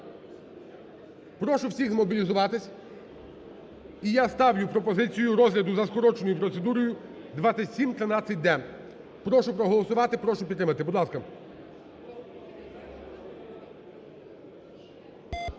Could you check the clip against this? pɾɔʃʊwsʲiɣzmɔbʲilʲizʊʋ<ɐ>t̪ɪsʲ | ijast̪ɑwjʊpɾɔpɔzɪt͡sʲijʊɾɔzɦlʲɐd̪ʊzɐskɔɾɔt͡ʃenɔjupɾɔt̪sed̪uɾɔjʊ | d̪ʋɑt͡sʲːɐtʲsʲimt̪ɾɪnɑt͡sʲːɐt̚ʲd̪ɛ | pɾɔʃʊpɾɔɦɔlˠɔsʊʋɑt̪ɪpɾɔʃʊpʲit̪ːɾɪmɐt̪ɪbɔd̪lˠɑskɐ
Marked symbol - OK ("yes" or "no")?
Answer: no